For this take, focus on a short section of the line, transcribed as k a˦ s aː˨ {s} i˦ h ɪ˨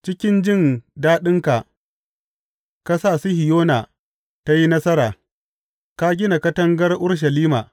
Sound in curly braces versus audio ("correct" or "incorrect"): correct